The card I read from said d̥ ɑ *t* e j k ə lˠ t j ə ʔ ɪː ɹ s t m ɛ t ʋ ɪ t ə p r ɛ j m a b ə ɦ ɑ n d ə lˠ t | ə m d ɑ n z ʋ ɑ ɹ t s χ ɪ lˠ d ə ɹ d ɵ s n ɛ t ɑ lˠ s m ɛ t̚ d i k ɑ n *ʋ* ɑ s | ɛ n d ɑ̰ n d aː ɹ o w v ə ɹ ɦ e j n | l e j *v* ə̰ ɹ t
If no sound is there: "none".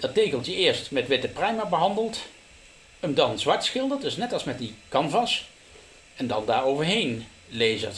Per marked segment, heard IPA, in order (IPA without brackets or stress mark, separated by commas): t, v, z